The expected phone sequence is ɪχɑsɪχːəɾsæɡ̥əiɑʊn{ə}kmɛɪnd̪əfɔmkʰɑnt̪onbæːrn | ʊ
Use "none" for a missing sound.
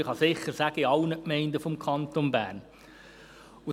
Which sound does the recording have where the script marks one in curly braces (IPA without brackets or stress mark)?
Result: ə